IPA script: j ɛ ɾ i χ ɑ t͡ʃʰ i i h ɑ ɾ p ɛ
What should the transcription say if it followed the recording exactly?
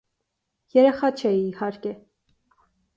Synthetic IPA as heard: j ɛ ɾ ɛ χ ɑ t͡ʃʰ ɛ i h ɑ ɾ k ɛ